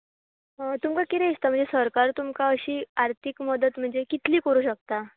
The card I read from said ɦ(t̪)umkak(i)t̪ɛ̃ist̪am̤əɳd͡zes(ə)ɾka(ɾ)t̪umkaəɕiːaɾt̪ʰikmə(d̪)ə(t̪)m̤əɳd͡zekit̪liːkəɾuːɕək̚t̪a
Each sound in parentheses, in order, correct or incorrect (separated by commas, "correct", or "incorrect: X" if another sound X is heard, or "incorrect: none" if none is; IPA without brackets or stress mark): correct, correct, correct, correct, correct, correct